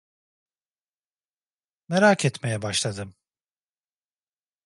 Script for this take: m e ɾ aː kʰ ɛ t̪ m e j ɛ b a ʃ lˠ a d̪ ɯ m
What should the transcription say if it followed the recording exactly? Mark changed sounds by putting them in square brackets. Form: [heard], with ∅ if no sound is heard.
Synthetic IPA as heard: m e ɾ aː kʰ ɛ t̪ m e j ɛ b a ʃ lˠ a d̪ ɯ m